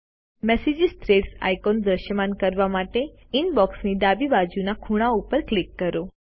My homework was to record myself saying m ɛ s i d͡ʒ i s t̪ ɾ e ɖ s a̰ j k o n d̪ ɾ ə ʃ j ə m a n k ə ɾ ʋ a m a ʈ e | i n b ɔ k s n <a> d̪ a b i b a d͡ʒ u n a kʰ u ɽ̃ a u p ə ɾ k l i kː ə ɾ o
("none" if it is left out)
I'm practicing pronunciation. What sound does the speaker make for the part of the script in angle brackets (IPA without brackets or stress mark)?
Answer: i